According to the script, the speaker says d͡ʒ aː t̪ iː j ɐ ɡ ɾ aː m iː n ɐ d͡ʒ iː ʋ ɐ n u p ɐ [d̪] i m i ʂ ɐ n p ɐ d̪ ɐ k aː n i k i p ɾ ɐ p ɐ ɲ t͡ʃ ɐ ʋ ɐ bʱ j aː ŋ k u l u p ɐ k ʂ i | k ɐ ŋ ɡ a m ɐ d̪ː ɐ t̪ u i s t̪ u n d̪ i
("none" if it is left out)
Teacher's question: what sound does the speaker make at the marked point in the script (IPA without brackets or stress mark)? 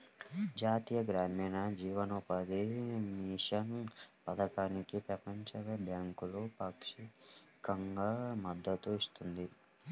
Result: d̪